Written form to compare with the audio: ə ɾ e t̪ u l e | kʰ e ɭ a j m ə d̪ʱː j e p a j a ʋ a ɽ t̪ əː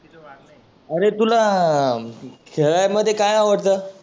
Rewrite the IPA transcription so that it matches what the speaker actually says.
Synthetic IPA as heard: ə ɾ e t̪ u l a | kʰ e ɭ a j m ə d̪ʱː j e k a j a ʋ ə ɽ t̪ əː